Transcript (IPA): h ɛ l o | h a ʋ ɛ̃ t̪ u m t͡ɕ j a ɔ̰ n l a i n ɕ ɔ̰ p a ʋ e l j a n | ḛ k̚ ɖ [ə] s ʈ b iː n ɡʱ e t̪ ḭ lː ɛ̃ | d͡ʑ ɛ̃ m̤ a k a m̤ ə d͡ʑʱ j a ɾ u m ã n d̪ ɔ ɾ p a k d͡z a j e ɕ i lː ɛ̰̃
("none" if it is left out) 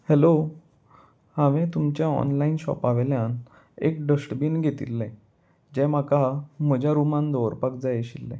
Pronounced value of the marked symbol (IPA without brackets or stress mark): ə